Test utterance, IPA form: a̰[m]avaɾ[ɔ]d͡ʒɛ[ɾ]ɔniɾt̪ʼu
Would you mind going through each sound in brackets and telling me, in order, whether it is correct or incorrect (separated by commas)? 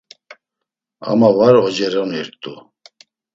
correct, correct, correct